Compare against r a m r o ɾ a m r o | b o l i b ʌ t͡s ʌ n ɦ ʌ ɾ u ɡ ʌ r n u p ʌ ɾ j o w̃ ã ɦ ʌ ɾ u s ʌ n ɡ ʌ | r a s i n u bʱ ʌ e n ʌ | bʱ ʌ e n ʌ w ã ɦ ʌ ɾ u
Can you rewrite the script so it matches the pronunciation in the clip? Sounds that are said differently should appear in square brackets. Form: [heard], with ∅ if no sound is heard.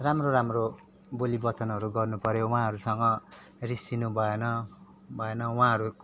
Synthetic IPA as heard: r a m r o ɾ a m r o | b o l i b ʌ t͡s ʌ n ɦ ʌ ɾ u ɡ ʌ r n u p ʌ ɾ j o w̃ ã ɦ ʌ ɾ u s ʌ [ŋ] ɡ ʌ | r [i] s i n u bʱ ʌ e n ʌ | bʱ ʌ e n ʌ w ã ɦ ʌ ɾ u